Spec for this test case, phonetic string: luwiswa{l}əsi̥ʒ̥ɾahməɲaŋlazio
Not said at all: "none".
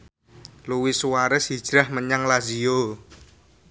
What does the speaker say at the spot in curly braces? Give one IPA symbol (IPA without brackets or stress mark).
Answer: ɾ